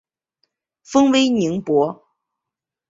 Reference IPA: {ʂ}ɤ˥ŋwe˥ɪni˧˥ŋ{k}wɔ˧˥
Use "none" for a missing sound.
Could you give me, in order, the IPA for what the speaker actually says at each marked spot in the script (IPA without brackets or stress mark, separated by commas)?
f, p